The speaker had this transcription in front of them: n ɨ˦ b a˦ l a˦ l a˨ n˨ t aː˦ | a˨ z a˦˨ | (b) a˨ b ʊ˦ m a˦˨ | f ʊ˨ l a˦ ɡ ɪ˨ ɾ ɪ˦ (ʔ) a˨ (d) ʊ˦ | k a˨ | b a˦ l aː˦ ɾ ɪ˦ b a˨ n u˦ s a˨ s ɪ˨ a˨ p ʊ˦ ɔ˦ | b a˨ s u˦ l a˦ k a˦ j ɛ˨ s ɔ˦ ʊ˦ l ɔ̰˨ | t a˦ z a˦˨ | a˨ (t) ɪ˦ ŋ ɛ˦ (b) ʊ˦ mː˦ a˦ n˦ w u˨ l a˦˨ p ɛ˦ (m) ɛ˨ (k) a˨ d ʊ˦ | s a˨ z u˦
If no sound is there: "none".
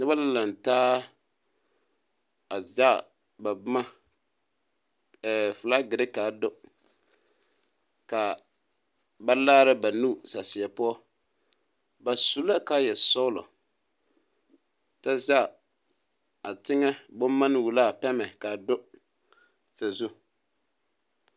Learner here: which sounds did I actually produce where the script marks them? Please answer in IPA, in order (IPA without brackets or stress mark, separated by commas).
b, k, d, t, b, m, k